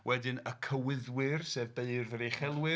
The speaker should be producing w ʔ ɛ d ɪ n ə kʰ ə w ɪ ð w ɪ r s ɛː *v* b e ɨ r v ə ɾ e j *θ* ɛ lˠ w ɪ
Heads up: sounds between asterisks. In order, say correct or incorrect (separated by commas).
correct, incorrect